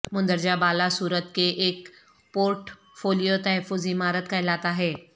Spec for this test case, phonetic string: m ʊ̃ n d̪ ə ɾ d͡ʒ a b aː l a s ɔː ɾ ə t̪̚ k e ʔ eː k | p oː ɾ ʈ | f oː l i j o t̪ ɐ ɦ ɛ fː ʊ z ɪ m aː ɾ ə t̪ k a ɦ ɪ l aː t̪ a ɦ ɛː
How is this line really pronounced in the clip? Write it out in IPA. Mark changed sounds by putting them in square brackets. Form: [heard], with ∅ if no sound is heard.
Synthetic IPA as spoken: m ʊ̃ n d̪ ə ɾ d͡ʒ a b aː l a s [uː] ɾ ə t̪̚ k e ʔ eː k | p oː ɾ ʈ | f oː l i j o t̪ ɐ ɦ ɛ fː ʊ z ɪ m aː ɾ ə t̪ k a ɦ ɪ l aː t̪ a ɦ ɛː